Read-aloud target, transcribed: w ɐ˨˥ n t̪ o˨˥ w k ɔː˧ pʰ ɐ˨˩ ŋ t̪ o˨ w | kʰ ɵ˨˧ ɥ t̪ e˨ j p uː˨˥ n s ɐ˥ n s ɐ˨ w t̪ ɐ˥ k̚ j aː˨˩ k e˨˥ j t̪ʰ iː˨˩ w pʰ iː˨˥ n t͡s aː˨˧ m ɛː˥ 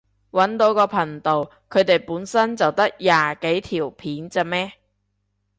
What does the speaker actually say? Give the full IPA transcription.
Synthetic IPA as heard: w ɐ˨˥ n t̪ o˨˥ w k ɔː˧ pʰ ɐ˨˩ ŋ t̪ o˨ w | kʰ ɵ˨˧ ɥ t̪ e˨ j p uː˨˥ n s ɐ˥ n t͡s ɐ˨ w t̪ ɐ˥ k̚ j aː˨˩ k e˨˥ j t̪ʰ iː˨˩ w pʰ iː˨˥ n t͡s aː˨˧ m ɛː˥